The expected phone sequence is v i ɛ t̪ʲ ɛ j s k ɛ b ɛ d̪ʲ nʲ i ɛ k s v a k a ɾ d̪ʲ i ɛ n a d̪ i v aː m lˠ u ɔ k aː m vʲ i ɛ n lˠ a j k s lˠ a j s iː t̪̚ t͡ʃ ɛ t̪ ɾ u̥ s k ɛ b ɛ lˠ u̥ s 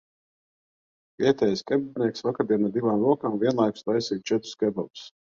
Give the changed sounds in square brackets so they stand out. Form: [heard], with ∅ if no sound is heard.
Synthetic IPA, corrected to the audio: v i ɛ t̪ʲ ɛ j s k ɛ b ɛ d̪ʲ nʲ i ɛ k s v a k a ɾ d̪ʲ i ɛ n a d̪ i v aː m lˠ u ɔ k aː m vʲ i ɛ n lˠ a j k s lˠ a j s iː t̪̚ t͡ʃ ɛ t̪ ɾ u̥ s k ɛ b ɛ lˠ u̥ s